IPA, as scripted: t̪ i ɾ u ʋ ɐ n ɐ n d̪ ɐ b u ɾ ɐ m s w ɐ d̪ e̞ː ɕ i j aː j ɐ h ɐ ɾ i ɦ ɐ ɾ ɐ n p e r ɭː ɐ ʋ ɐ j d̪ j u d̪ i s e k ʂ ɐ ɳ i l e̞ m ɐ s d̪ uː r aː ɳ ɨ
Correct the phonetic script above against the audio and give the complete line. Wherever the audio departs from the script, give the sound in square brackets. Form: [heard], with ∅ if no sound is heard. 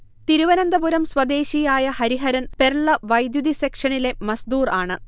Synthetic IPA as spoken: t̪ i ɾ u ʋ ɐ n ɐ n d̪ ɐ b u ɾ ɐ m s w ɐ d̪ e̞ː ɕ i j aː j ɐ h ɐ ɾ i ɦ ɐ ɾ ɐ n p e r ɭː ɐ ʋ ɐ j d̪ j u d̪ i s e k ʂ ɐ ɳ i l e̞ m ɐ s d̪ uː r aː ɳ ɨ